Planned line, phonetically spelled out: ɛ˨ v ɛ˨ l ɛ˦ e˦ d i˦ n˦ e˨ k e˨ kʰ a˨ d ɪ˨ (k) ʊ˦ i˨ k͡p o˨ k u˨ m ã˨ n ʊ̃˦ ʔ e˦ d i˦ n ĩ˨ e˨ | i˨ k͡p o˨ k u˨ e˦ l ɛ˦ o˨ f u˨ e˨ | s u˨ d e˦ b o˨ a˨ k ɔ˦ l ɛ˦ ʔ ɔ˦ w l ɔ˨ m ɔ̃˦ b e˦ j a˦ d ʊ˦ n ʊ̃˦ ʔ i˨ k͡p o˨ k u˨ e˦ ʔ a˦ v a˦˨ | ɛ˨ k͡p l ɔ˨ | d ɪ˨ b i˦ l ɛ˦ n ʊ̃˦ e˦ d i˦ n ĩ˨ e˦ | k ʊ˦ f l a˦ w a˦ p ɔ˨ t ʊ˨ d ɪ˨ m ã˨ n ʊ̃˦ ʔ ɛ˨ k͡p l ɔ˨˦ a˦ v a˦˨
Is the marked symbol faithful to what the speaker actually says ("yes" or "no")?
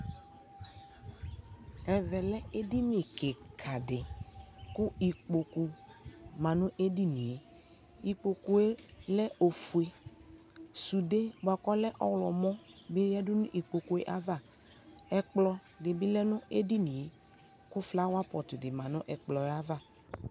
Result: yes